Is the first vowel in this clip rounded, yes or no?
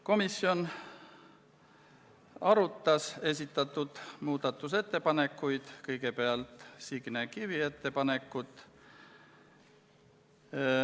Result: yes